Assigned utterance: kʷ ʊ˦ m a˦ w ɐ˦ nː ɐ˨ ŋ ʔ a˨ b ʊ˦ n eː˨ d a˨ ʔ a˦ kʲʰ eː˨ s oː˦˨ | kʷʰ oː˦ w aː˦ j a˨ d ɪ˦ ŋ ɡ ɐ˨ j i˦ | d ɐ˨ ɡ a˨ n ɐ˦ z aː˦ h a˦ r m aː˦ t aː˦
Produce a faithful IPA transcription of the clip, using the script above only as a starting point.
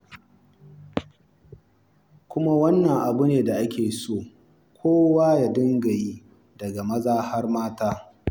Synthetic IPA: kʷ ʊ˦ m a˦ w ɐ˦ nː ɐ˨ ŋ ʔ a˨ b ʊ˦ n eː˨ d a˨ ʔ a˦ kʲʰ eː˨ s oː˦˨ | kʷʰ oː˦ w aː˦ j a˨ d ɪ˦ ŋ ɡ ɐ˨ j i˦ | d ɐ˨ ɡ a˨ m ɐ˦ z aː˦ h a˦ r m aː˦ t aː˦